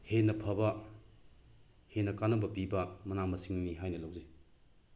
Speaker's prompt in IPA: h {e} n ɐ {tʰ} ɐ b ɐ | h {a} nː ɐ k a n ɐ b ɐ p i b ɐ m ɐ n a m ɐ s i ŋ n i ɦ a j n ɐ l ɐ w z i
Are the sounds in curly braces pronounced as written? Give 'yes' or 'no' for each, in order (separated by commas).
yes, no, no